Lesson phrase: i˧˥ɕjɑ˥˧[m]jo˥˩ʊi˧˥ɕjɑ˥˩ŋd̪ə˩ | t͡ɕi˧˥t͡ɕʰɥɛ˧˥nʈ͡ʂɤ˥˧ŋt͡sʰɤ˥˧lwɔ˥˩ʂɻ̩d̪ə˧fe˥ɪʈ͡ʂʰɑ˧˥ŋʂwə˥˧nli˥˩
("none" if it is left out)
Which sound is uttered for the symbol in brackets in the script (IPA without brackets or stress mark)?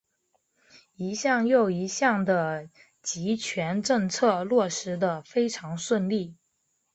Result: ŋ